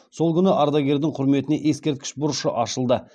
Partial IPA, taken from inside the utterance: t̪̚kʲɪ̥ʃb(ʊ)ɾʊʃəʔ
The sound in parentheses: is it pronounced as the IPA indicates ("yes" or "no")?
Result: yes